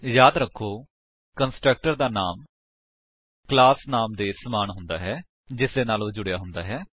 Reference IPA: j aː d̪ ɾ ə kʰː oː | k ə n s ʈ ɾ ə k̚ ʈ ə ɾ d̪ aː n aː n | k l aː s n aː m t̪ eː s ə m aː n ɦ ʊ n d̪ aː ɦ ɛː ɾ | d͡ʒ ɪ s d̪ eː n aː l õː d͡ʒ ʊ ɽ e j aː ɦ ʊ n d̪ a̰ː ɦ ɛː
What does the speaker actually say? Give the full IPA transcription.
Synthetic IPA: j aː d̪ ɾ ə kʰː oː | k ə n s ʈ ɾ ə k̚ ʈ ə ɾ d̪ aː n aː m | k l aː s n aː m d̪ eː s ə m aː n ɦ ʊ n d̪ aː ɦ ɛː | d͡ʒ ɪ s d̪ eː n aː l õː d͡ʒ ʊ ɽ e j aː ɦ ʊ n d̪ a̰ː ɦ ɛː